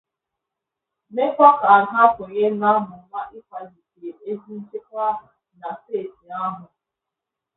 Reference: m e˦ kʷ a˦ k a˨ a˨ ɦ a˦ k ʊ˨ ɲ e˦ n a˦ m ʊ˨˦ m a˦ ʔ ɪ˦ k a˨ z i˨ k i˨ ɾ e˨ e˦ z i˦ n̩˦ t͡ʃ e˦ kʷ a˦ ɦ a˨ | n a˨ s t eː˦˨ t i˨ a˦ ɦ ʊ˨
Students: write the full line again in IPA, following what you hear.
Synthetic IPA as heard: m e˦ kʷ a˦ k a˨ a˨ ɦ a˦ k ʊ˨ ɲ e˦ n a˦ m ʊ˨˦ m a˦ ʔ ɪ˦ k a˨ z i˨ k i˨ ɾ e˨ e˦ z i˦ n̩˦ t͡ʃ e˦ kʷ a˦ ɦ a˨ | n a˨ s t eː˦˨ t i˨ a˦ ɦ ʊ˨